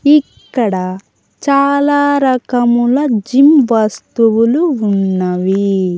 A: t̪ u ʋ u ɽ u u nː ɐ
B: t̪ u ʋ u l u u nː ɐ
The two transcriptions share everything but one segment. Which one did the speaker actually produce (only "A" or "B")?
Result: B